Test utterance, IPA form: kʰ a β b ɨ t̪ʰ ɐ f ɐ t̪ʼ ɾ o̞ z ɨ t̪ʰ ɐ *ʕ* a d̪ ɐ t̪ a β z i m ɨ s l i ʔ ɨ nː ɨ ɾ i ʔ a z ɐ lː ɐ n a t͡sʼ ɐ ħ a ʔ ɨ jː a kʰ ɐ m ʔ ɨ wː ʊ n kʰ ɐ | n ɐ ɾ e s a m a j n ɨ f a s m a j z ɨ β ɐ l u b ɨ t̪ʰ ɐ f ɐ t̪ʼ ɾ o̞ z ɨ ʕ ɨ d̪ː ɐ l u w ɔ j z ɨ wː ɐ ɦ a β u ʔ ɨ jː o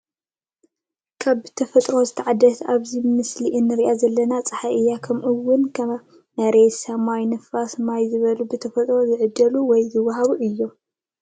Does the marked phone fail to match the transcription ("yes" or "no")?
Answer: no